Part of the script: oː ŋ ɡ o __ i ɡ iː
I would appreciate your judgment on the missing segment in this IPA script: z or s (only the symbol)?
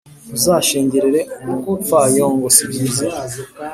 s